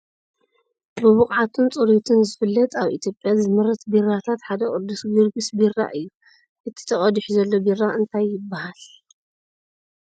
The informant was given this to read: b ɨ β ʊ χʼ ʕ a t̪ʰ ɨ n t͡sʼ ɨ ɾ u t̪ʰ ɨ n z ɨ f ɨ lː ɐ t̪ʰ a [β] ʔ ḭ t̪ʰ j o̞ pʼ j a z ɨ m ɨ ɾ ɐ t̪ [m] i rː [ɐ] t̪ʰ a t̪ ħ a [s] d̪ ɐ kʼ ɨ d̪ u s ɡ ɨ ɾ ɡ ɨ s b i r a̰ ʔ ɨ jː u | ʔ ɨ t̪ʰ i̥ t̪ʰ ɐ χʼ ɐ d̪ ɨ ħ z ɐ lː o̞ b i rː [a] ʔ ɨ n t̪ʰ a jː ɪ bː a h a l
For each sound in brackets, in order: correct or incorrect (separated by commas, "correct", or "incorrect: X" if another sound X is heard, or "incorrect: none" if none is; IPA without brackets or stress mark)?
correct, incorrect: b, incorrect: a, incorrect: none, correct